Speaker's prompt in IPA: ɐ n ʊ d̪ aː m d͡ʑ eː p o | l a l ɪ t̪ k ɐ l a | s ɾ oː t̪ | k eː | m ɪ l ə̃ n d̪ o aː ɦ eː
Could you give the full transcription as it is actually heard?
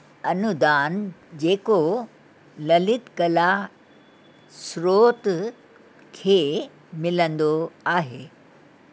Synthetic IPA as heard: ɐ n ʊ d̪ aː n d͡ʑ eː k o | l ɐ l ɪ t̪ k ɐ l a | s ɾ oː t̪ | kʰ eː | m ɪ l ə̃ n d̪ o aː ɦ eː